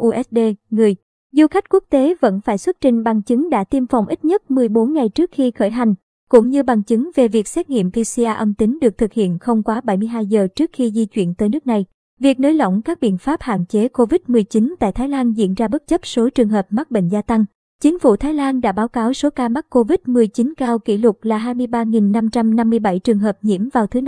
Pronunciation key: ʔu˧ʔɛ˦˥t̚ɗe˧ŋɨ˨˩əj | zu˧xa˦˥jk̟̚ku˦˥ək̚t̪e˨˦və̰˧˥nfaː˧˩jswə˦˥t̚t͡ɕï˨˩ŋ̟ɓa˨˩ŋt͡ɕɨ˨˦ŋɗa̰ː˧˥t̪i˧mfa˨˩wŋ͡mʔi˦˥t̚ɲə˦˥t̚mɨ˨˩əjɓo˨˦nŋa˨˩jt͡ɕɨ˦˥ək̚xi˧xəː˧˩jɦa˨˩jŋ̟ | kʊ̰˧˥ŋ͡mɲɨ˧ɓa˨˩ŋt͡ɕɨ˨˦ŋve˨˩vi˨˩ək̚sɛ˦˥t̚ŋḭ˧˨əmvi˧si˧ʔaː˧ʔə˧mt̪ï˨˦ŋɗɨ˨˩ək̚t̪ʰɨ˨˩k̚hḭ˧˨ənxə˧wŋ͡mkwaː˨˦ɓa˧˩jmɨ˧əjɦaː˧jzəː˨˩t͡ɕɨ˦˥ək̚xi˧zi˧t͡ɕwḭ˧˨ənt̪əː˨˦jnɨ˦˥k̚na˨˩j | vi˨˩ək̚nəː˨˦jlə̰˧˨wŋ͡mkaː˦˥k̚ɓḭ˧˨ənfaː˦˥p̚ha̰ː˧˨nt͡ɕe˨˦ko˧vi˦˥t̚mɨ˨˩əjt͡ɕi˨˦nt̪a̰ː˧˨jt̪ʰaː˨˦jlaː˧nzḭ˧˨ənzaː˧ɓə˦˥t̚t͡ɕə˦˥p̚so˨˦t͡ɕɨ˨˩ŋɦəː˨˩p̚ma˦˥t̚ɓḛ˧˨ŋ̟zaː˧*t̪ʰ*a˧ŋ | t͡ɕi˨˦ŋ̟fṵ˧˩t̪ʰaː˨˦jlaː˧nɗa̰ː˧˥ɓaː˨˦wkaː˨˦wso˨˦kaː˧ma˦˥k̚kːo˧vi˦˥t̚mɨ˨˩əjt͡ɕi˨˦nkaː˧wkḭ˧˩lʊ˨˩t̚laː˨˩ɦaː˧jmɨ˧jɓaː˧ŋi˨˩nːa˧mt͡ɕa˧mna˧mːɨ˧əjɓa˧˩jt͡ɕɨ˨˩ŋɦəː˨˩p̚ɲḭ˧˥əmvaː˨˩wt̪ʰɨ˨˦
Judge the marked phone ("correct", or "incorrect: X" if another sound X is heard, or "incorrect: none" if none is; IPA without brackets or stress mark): incorrect: t̪